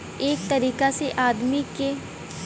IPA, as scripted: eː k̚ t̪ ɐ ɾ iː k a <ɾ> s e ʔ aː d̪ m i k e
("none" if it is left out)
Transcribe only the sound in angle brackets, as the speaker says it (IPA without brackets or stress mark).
none